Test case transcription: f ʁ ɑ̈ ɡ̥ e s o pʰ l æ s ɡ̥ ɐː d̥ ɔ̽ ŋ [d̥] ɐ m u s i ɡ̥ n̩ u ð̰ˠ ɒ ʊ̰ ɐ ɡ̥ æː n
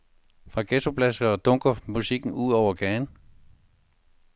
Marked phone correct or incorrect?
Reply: incorrect